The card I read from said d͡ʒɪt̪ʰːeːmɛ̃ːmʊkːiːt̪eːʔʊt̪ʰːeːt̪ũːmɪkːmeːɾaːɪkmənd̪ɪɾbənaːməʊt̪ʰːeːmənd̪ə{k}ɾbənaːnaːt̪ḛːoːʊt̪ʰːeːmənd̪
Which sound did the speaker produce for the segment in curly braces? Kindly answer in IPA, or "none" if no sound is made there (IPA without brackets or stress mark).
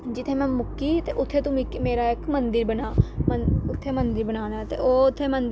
none